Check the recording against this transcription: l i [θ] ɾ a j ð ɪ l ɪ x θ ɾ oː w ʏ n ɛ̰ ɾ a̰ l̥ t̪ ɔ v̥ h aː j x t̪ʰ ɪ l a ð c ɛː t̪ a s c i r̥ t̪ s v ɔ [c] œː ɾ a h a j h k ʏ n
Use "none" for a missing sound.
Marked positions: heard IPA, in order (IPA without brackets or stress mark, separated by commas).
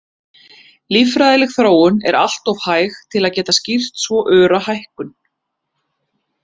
f, ʔ